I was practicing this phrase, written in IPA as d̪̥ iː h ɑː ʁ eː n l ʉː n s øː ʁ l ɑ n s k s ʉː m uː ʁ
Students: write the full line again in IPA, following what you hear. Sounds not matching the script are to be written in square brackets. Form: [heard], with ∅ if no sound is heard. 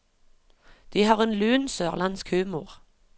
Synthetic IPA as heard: d̪̥ iː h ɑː ʁ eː n l ʉː n s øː ʁ l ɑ n s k [h] ʉː m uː ʁ